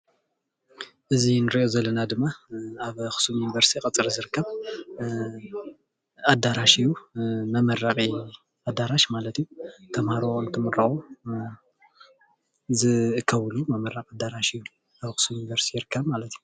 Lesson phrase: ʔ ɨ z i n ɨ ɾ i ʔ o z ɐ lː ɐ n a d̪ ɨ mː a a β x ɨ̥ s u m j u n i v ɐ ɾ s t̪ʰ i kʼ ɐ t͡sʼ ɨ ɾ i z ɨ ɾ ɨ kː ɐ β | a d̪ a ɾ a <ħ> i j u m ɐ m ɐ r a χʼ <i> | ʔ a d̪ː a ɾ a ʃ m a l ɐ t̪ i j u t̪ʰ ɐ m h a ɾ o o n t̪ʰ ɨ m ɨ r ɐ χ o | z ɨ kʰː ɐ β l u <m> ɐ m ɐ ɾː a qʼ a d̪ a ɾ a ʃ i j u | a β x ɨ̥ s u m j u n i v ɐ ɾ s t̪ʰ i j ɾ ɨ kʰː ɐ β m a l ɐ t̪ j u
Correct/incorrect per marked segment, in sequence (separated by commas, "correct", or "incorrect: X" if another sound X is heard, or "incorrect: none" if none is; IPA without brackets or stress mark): incorrect: ʃ, correct, correct